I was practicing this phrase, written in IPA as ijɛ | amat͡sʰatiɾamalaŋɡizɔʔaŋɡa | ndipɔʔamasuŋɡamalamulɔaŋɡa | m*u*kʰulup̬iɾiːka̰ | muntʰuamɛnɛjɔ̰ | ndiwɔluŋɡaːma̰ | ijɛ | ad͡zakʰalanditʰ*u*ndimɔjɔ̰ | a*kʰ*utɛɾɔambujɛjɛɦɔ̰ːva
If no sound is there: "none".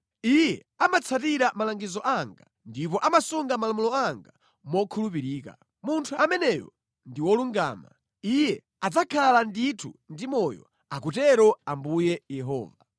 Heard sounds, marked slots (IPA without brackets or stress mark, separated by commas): ɔ, u, k